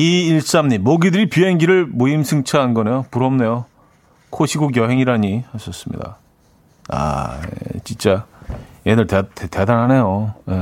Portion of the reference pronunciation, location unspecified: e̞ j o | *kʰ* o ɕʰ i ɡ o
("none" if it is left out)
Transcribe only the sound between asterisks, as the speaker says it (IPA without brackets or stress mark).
kʰ